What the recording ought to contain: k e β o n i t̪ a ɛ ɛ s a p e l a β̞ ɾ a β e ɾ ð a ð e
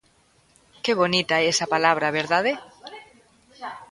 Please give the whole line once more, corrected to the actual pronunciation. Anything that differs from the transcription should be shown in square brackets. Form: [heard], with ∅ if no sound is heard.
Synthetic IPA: k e β o n i t̪ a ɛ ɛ s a p [a] l a β̞ ɾ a β e ɾ ð a ð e